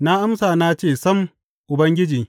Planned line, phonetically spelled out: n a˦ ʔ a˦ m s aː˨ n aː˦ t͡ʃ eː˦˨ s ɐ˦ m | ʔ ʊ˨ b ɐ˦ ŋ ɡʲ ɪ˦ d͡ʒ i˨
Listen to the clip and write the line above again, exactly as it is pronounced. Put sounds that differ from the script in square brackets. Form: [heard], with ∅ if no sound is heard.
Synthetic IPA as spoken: n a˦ ʔ a˦ m s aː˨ n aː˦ t͡ʃ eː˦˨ s ɐ˦ m | ʔ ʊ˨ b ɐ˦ ŋ ɡʲ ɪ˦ d͡ʒ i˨